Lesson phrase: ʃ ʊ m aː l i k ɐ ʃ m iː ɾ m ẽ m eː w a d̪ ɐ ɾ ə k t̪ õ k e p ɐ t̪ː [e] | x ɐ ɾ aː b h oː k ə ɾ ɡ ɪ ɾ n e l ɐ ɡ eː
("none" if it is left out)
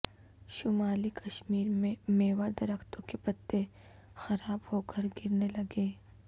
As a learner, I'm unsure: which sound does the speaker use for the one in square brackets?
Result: e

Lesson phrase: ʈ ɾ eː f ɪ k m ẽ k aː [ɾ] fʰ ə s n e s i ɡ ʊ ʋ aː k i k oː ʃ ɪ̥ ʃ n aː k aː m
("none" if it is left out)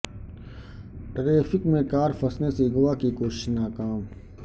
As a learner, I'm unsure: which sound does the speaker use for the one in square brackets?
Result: ɾ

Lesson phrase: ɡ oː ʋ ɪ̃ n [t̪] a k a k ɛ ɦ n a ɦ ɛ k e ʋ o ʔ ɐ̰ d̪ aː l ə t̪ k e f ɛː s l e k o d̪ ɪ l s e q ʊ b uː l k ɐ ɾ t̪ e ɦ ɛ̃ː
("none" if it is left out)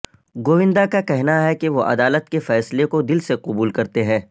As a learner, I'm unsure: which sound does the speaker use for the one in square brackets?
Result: d̪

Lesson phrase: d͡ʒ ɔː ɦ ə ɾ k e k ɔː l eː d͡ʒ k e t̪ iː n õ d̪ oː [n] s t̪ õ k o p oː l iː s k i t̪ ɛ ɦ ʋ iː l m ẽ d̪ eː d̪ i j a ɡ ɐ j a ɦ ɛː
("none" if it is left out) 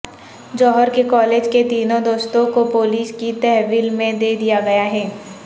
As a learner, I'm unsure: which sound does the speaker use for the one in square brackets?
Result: none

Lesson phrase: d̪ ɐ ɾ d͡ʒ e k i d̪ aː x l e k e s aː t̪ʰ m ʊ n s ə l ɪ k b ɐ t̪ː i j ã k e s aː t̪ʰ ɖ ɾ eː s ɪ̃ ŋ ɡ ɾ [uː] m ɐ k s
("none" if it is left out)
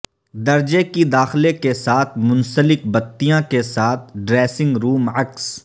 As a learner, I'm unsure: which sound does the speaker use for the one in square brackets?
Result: uː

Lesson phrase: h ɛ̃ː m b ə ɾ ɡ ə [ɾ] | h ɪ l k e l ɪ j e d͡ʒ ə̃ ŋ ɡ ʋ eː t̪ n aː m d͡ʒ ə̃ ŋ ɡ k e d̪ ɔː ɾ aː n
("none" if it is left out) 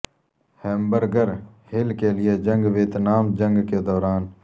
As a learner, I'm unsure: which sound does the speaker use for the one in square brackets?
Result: ɾ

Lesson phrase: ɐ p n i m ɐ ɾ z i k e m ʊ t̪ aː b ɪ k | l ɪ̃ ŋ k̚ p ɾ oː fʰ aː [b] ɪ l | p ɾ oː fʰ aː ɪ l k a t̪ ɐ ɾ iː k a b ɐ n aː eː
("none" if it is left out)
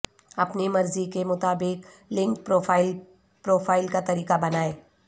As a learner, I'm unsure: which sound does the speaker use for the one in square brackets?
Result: none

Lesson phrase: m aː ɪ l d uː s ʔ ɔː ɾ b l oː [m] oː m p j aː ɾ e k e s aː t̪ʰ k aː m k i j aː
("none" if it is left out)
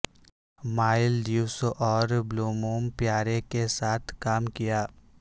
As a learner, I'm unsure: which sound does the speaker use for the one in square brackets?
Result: m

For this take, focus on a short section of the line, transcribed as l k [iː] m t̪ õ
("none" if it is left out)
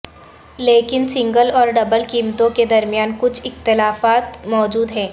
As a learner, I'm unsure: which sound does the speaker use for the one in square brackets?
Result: iː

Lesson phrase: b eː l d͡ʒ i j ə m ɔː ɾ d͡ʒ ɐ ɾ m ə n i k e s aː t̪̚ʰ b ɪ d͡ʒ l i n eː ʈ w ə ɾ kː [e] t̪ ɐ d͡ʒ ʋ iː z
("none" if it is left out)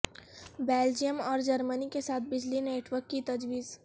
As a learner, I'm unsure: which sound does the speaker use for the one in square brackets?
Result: i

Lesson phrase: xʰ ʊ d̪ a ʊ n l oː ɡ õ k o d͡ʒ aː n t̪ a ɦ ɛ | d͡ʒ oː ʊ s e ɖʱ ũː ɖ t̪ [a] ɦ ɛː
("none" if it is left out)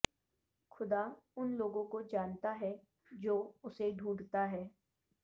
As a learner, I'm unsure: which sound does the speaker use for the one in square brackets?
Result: a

